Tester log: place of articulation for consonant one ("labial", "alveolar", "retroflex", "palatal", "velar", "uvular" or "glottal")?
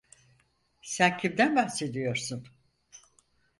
alveolar